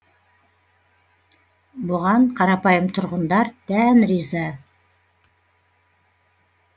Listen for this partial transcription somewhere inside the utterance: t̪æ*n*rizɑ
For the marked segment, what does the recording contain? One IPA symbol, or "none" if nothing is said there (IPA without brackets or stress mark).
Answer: n